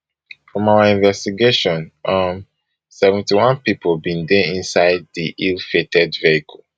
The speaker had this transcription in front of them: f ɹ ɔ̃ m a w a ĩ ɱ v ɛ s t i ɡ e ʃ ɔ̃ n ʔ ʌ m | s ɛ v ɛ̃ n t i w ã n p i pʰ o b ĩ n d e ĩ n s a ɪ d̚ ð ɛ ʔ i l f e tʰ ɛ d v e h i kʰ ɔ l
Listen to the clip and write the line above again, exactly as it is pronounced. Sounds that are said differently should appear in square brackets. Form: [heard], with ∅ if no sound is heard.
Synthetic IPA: f ɹ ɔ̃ m a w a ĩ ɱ v ɛ s t i ɡ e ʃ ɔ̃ n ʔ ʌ m | s ɛ v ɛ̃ n t i w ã n p i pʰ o b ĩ n d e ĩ n s a ɪ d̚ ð [i] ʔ i l f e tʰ ɛ d v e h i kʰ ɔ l